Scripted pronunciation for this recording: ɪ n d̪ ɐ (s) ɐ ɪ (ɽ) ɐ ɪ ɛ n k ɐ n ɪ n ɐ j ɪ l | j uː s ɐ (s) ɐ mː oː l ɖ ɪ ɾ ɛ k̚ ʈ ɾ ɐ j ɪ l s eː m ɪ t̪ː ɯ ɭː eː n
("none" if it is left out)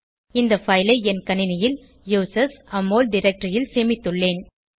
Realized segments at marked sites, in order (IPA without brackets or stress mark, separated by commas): f, l, s